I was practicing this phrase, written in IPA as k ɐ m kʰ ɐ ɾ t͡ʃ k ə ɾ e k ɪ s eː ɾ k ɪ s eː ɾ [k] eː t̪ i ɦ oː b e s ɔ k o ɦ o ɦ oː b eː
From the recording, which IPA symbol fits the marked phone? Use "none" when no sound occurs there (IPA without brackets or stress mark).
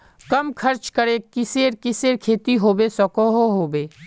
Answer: kʰ